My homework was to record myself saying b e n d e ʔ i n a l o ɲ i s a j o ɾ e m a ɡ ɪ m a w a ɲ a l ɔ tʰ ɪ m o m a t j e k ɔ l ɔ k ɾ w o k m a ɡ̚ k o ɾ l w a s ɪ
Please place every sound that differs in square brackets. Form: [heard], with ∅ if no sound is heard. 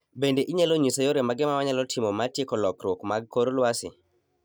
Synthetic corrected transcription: b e n d e ʔ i [ɲ] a l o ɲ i s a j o ɾ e m a ɡ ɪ m a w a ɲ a l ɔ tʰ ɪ m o m a t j e k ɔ l ɔ k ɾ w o k m a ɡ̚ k o ɾ l w a s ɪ